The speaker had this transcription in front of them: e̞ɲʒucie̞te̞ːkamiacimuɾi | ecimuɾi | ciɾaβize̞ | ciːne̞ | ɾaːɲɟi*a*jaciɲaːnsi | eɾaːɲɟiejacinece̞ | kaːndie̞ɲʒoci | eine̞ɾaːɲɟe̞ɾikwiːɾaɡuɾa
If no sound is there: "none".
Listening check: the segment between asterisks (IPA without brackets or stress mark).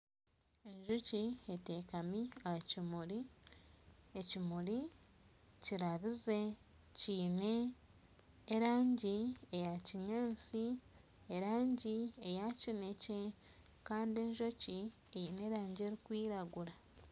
e